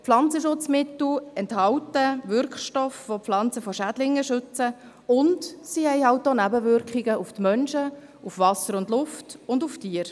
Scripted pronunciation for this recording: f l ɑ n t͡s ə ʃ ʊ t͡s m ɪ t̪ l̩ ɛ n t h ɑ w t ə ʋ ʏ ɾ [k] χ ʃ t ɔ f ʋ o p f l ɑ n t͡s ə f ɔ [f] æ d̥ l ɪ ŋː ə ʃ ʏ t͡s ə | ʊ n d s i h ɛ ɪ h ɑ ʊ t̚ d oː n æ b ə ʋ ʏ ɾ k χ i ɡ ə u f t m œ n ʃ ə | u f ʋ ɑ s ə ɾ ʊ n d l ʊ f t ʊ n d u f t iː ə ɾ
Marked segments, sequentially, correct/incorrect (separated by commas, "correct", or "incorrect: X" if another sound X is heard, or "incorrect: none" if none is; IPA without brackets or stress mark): correct, incorrect: ʃ